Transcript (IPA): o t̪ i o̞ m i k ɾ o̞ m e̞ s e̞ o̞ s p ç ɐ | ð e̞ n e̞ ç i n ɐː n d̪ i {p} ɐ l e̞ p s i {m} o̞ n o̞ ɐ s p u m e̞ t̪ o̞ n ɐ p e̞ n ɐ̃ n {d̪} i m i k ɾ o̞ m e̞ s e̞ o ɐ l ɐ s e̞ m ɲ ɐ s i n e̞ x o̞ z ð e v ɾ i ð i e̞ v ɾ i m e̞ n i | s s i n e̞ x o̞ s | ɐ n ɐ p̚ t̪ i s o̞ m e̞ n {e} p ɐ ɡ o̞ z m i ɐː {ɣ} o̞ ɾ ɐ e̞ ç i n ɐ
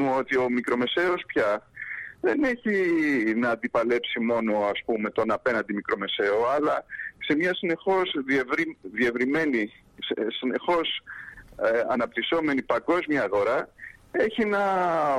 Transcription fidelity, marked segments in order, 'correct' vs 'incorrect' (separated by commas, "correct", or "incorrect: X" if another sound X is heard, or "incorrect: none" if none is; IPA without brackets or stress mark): correct, correct, correct, incorrect: i, correct